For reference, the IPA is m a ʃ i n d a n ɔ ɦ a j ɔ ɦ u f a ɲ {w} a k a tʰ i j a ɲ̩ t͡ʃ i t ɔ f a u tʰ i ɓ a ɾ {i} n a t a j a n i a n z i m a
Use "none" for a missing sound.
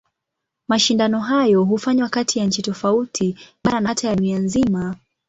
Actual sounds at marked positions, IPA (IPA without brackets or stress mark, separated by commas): w, a